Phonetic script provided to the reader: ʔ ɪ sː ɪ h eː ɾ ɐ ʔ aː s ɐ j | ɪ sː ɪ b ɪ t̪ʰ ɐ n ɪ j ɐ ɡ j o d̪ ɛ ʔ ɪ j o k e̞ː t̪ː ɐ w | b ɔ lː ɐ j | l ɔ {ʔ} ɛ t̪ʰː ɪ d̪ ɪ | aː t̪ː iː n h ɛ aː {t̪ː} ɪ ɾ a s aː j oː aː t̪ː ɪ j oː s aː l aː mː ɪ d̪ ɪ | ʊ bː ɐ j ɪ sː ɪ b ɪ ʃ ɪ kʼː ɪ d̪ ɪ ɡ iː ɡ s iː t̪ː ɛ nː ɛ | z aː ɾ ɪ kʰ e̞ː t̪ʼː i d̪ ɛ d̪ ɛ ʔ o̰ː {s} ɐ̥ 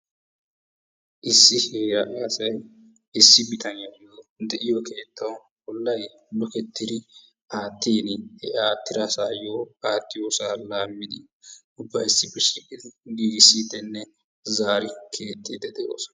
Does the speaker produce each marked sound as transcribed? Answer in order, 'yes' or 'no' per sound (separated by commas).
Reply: no, yes, yes